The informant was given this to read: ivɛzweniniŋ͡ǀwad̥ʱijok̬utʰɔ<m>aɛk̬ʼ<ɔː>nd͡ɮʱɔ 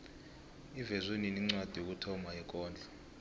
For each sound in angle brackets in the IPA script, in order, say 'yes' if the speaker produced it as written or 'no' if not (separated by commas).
yes, yes